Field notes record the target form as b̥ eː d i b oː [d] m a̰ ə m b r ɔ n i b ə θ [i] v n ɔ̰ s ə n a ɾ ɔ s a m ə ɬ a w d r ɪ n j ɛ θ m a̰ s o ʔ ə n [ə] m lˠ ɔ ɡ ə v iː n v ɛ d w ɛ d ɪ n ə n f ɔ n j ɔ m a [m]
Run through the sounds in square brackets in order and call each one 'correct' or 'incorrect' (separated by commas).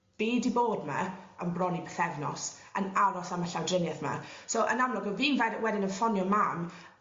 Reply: correct, incorrect, incorrect, correct